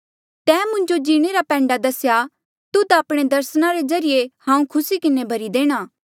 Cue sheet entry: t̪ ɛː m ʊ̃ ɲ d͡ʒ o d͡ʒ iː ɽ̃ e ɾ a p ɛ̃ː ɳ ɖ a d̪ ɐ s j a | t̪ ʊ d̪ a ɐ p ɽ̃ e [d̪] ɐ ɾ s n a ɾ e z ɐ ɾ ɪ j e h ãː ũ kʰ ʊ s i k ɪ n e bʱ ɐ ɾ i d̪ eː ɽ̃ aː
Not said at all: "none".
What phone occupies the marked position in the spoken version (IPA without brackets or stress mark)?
d̪